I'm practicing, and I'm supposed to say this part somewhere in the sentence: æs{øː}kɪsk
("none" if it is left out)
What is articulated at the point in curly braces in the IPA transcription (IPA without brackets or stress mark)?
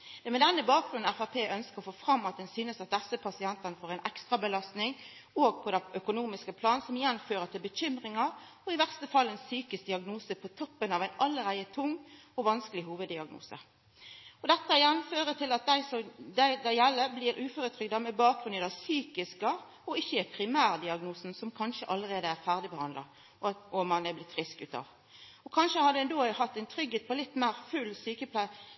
yː